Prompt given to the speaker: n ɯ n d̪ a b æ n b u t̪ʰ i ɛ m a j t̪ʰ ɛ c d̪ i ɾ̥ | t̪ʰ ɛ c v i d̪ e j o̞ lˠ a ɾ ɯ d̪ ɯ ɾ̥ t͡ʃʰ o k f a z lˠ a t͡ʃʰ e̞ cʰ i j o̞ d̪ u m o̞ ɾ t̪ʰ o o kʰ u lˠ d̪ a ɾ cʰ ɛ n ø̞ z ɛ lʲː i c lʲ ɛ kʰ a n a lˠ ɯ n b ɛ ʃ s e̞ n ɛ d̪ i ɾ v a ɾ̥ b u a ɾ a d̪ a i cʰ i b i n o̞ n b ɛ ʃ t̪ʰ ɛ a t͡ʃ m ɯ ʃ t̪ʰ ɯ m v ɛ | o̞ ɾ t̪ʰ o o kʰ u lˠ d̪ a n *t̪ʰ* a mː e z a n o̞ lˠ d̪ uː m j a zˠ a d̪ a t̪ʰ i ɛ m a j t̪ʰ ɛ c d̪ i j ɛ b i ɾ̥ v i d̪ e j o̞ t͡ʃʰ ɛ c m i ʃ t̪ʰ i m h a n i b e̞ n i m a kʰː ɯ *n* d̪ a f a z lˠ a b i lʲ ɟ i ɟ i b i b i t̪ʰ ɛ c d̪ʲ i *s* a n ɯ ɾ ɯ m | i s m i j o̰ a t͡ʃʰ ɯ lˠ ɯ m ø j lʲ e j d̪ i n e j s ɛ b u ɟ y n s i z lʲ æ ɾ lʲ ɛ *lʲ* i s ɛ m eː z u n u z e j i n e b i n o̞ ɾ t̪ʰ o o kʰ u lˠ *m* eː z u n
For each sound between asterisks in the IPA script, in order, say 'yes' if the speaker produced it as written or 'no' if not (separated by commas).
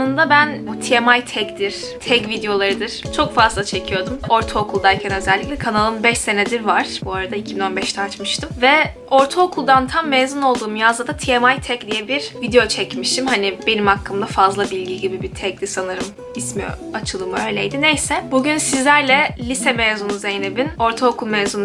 yes, no, yes, yes, yes